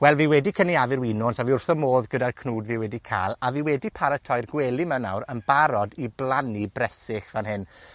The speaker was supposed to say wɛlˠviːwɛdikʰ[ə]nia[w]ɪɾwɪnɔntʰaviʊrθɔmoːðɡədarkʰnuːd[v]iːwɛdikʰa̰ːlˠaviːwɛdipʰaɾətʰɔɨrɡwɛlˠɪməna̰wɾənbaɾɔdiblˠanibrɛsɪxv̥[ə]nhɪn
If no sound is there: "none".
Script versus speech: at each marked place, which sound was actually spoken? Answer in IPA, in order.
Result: ə, v, v, a

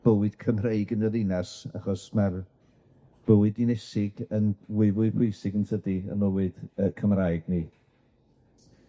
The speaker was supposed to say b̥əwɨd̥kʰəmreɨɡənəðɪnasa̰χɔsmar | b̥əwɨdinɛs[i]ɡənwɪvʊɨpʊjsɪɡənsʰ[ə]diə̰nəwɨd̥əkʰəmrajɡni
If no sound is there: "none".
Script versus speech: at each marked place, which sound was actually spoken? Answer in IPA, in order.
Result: ɪ, ə

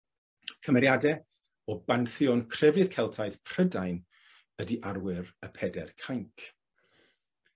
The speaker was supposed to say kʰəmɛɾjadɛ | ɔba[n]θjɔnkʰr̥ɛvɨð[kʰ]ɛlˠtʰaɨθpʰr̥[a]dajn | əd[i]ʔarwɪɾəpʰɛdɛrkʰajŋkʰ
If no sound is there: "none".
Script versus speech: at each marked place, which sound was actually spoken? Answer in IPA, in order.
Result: n, kʰ, ə, i

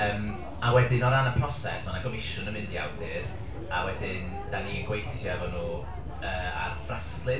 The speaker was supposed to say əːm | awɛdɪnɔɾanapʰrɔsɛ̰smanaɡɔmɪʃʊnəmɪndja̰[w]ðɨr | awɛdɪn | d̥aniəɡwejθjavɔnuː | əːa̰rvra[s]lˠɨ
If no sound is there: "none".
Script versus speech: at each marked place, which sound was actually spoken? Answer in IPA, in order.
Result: w, s

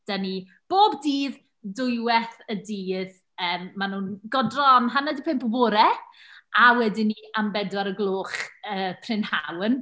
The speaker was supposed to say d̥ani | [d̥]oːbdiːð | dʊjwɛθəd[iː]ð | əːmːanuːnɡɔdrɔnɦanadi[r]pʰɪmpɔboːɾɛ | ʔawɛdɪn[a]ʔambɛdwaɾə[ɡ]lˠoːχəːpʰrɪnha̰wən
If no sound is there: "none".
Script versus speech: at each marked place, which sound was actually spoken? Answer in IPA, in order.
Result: b̥, iː, none, i, ɡ

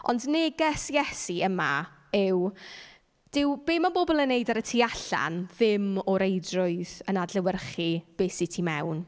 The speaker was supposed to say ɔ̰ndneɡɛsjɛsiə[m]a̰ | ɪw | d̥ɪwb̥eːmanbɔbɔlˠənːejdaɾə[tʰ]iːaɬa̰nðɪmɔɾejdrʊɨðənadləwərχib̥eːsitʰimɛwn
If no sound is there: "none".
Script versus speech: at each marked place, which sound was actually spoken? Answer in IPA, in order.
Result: m, tʰ

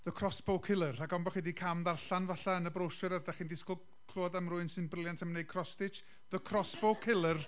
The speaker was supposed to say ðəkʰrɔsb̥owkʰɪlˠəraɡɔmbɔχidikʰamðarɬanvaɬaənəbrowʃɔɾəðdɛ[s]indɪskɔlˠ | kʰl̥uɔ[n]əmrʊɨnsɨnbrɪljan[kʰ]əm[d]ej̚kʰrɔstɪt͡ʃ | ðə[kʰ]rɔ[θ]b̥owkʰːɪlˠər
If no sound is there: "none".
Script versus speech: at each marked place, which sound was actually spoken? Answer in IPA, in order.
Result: χ, d, tʰ, n, kʰ, s

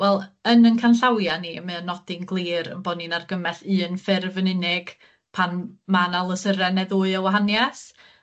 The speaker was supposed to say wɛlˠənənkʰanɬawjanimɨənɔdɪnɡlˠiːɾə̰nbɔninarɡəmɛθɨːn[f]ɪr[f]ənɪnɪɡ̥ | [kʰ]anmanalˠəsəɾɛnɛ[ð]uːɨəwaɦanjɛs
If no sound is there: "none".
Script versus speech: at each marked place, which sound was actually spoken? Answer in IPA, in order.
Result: f, v, pʰ, ð

